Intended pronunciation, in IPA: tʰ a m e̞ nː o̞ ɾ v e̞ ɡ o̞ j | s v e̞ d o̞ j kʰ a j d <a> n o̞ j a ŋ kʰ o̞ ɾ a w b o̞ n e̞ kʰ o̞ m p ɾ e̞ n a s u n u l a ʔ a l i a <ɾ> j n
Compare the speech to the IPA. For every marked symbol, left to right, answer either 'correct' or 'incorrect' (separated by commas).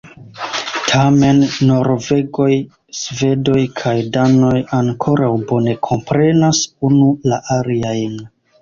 correct, incorrect